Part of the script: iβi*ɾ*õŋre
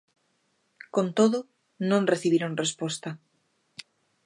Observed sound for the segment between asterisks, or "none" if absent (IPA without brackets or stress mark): ɾ